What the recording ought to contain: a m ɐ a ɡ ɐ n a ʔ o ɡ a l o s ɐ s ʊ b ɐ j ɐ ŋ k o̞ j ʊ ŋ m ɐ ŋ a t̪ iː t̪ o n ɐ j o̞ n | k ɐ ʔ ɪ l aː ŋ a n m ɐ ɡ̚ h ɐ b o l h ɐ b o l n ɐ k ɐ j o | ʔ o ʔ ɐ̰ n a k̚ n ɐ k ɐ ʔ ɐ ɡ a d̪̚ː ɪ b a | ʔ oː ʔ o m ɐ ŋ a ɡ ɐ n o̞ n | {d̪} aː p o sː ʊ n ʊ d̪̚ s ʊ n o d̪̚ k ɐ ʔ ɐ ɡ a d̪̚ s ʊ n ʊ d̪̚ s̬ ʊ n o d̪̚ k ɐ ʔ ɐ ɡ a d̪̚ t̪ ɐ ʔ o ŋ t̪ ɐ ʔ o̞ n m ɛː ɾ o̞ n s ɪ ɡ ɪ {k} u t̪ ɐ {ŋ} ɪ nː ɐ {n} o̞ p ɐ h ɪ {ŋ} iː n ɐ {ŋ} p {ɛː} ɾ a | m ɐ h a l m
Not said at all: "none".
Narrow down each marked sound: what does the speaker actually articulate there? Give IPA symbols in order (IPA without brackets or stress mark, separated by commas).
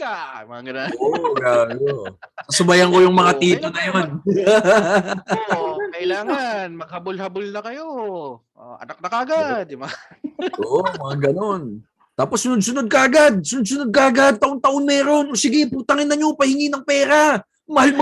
t̪, p, ŋ, ɲ, ŋ, ŋ, ɛː